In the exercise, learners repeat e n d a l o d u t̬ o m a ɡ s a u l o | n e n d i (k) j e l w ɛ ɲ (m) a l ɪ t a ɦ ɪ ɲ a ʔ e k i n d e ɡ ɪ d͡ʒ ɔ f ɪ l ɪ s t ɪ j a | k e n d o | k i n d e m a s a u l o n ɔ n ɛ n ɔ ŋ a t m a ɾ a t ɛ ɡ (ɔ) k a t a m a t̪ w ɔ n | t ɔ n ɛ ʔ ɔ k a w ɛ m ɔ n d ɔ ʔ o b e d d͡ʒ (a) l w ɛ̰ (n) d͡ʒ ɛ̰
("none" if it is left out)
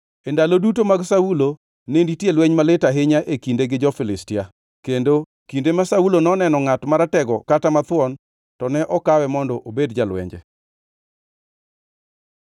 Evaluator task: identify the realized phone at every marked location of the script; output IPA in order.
t, m, ɔ, a, ɲ

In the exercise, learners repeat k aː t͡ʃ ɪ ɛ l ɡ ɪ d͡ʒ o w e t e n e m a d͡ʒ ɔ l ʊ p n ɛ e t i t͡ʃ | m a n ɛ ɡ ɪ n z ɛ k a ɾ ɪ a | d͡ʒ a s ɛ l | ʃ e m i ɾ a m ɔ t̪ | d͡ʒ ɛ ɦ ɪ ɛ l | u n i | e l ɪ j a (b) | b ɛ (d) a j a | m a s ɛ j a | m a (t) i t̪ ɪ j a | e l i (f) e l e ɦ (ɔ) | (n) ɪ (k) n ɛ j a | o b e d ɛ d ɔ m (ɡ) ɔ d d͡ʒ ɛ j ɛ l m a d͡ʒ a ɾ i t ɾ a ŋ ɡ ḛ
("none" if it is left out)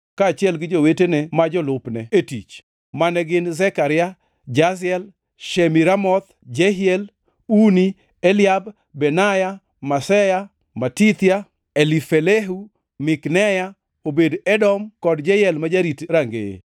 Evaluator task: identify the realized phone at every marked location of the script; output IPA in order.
b, n, t, f, u, m, k, k

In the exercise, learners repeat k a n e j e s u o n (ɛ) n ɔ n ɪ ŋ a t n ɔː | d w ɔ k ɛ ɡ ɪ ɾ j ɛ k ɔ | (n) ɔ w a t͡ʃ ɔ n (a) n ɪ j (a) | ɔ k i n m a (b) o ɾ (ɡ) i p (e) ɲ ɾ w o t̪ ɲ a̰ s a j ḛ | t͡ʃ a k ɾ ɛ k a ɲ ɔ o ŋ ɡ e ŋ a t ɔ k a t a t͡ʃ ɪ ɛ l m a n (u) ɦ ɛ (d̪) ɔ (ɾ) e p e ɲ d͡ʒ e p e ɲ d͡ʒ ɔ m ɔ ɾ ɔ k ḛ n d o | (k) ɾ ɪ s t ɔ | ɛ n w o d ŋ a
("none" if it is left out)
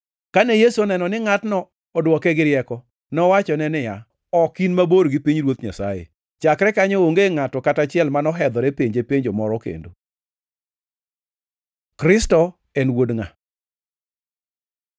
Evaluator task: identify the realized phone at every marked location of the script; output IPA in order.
ɛ, n, ɛ, a, b, ɡ, i, ɔ, d̪, ɾ, k

